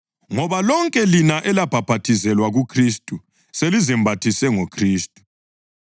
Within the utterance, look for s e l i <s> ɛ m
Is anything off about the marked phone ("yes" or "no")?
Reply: yes